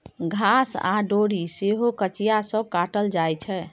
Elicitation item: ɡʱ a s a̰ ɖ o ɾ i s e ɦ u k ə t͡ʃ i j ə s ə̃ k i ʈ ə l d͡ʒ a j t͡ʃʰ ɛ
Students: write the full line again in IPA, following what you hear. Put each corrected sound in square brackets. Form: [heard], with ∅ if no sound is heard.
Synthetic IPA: ɡʱ a s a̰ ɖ o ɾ i s e ɦ [o] k ə t͡ʃ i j [a] s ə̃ k [a] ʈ ə l d͡ʒ a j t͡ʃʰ ɛ